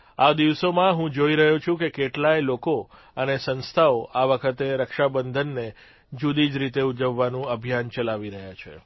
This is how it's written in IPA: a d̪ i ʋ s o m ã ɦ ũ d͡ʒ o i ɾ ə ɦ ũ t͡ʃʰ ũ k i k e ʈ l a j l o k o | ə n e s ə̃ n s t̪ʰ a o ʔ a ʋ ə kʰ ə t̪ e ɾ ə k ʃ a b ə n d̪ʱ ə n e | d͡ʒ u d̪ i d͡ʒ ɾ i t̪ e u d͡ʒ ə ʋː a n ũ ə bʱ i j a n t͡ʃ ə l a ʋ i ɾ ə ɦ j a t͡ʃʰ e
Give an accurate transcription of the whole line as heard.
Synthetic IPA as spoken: a d̪ i ʋ s o m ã ɦ ũ d͡ʒ o i ɾ ə ɦ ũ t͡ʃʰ ũ k e k e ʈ l a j l o k o | ə n e s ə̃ n s t̪ʰ a o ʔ a ʋ ə kʰ ə t̪ e ɾ ə k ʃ a b ə n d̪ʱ ə nː e | d͡ʒ u d̪ i d͡ʒ ɾ i t̪ e u d͡ʒ ə ʋː a n ũ ə bʱ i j a n t͡ʃ ə l a ʋ i ɾ ə ɦ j a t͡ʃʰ e

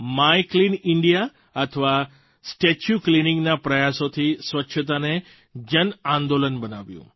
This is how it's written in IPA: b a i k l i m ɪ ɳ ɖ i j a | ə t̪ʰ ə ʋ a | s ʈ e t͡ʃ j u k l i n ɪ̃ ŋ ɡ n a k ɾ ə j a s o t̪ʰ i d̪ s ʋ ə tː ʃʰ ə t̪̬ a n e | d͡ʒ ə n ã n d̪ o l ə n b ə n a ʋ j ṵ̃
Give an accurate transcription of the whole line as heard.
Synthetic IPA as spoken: m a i k l i n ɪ ɳ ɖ i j a | ə t̪ʰ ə ʋ a | s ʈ e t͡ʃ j u k l i n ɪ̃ ŋ ɡ n a p ɾ ə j a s o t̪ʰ i s ʋ ə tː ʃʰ ə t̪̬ a n e | d͡ʒ ə n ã n d̪ o l ə n b ə n a ʋ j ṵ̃

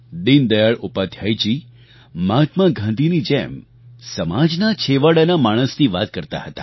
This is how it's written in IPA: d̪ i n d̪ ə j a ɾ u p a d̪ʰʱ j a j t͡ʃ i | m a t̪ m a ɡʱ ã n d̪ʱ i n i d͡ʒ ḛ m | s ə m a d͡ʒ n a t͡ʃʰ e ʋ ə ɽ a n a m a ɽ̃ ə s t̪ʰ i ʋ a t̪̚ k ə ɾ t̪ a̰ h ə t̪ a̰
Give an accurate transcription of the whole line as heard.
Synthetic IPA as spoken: d̪ i n d̪ ə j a ɭ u p a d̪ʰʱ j a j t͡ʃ i | m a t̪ m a ɡʱ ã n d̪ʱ i n i d͡ʒ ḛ m | s ə m a d͡ʒ n a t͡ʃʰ e ʋ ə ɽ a n a m a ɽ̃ ə s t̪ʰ i ʋ a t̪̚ k ə ɾ t̪ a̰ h ə t̪ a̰

